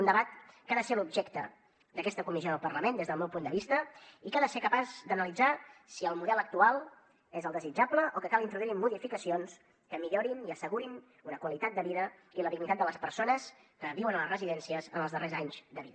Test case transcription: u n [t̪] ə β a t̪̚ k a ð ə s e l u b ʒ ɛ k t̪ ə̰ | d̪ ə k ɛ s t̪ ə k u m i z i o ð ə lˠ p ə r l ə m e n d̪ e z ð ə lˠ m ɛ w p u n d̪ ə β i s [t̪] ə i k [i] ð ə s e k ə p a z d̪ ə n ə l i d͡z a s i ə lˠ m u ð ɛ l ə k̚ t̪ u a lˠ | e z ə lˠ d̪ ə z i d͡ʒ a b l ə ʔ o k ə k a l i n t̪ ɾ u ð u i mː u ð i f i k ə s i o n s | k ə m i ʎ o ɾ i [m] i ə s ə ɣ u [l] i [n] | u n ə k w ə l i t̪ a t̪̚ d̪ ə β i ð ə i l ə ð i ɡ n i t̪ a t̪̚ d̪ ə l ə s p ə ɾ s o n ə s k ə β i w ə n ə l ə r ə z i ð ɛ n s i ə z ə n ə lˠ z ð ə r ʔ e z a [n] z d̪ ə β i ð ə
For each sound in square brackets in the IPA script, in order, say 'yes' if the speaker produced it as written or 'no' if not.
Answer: no, yes, no, no, no, yes, no

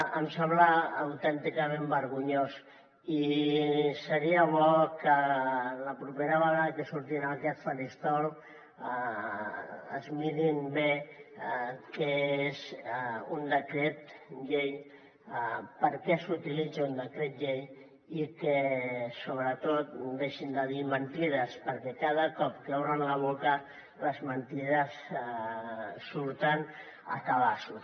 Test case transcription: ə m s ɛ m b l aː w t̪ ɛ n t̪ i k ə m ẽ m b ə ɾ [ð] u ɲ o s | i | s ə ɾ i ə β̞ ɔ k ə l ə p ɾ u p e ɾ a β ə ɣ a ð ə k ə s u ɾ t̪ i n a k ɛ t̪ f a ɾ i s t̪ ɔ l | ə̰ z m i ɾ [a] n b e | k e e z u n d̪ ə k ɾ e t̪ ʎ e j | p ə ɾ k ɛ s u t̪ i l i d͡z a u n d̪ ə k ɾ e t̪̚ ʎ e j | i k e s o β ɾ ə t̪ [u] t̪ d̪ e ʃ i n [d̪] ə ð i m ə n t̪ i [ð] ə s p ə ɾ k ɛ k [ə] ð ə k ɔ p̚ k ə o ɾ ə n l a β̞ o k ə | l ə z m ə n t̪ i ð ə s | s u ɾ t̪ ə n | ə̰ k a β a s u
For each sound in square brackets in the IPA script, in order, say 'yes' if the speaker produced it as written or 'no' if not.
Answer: no, no, no, yes, yes, no

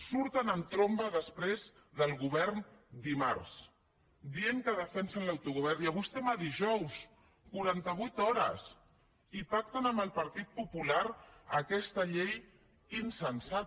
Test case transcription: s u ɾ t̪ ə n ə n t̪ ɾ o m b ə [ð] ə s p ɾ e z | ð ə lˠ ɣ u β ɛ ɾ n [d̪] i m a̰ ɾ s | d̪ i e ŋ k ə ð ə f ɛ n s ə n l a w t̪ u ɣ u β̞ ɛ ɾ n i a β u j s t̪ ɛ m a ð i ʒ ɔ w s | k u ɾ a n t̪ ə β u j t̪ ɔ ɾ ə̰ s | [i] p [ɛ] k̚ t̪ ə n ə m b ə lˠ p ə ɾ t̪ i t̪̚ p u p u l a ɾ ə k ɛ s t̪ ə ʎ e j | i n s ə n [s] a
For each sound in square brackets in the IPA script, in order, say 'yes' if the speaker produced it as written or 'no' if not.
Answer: yes, yes, yes, no, yes

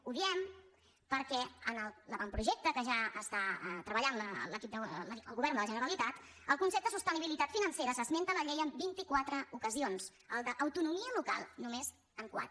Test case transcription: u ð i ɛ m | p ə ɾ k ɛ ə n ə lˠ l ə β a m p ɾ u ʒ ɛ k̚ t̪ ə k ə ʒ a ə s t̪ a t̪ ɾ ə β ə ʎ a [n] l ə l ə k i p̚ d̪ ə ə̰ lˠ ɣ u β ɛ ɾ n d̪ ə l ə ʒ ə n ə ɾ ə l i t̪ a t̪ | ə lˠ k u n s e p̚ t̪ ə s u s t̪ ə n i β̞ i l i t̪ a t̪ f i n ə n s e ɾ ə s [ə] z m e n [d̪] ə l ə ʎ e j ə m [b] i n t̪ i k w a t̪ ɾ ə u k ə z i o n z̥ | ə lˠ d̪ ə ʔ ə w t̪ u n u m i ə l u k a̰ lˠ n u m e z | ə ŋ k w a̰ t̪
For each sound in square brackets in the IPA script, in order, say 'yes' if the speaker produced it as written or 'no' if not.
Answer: yes, yes, no, yes

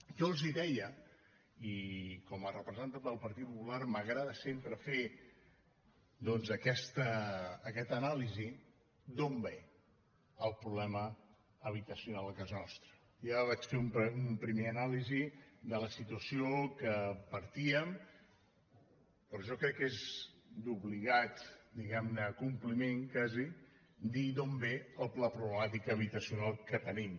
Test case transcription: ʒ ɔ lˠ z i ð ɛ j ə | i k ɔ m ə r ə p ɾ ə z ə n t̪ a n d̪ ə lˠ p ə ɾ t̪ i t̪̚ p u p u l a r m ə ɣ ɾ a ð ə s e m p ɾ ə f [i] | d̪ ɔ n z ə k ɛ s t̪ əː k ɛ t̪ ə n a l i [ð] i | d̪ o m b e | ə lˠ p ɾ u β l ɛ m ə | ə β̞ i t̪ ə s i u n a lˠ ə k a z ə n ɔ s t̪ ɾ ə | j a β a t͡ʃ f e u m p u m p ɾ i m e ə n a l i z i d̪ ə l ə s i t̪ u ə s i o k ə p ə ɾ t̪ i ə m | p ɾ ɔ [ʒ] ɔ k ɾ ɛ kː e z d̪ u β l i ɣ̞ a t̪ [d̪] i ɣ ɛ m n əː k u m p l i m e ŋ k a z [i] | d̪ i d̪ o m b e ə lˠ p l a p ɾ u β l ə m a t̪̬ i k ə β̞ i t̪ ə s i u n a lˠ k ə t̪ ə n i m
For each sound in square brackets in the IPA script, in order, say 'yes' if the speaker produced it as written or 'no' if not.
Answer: no, no, yes, yes, yes

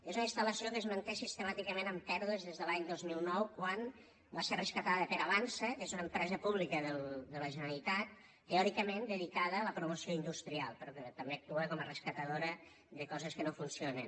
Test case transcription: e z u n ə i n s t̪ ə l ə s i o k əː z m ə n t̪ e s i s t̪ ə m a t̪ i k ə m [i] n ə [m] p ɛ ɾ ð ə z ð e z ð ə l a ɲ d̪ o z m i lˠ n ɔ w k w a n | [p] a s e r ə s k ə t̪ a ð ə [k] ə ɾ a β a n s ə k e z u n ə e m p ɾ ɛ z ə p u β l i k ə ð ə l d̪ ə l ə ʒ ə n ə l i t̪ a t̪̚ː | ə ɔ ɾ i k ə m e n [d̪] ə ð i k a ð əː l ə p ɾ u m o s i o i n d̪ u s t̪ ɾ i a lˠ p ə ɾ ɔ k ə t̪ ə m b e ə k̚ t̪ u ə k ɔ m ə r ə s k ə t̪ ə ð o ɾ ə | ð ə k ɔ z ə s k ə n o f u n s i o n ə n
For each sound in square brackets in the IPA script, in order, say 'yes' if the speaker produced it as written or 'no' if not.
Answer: no, yes, no, no, yes

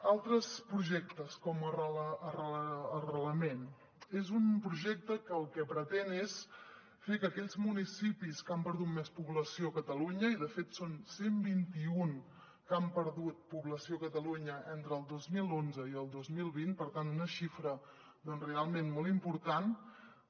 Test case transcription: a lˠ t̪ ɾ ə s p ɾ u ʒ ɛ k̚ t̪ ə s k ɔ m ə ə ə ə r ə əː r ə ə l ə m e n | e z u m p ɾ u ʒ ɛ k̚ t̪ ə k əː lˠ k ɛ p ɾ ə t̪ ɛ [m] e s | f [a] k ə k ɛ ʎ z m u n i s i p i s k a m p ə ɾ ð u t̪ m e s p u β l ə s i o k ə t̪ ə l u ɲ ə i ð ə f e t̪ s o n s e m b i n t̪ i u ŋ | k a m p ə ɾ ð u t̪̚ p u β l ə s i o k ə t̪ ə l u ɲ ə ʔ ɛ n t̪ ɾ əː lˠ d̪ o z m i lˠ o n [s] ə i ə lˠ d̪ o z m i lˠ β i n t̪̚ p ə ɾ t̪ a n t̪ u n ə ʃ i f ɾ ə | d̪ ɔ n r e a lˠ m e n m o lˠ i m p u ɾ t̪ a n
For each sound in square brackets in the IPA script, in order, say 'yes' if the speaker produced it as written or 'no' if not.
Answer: no, no, no

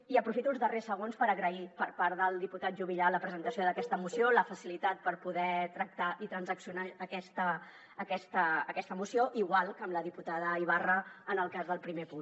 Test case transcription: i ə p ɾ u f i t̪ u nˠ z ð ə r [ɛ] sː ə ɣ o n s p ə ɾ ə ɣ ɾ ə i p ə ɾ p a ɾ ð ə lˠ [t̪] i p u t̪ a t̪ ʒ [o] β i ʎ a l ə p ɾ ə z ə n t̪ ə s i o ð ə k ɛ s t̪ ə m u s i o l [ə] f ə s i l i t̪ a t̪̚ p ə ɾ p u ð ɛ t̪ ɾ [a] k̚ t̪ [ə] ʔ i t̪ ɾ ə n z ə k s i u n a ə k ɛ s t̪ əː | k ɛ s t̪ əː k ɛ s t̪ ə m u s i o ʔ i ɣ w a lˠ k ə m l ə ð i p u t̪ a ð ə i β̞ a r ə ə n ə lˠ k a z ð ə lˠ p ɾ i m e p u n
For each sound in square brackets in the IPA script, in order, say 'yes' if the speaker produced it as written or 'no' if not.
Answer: no, no, no, yes, no, no

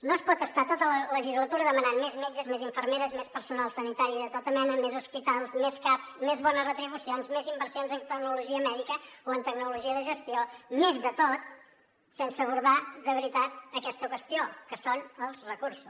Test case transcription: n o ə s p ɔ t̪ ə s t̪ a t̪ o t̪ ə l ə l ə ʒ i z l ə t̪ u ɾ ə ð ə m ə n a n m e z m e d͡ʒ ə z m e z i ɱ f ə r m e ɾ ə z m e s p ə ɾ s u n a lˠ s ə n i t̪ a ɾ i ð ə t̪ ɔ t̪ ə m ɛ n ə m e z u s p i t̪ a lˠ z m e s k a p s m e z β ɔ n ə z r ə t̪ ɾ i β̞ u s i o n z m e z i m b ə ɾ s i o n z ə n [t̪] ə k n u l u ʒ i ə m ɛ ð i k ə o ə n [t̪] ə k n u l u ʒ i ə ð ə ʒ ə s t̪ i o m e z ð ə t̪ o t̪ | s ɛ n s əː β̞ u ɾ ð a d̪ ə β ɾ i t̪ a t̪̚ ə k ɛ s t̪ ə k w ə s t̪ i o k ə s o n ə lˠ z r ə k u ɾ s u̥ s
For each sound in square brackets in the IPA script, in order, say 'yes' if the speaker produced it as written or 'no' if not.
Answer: yes, yes

